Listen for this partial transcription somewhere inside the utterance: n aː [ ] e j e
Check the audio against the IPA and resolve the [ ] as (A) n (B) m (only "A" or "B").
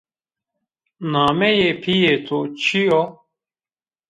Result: B